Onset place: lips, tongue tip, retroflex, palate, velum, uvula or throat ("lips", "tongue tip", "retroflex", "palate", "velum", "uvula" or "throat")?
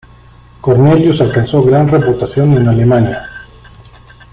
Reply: velum